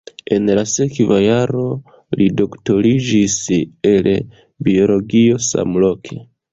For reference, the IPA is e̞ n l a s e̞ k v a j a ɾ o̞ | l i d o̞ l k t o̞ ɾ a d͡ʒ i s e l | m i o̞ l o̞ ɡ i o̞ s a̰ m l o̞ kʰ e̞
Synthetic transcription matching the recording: e̞ n l a s e̞ k v a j a ɾ o̞ | l i d o̞ k t o̞ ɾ i d͡ʒ i s e l | b i o̞ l o̞ ɡ i o̞ s a̰ m l o̞ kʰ e̞